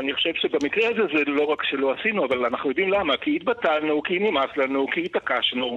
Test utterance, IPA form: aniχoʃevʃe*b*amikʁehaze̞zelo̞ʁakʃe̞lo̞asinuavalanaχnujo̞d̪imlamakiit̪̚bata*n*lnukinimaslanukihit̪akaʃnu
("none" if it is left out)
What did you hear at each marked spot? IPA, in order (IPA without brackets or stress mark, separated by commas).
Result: b, none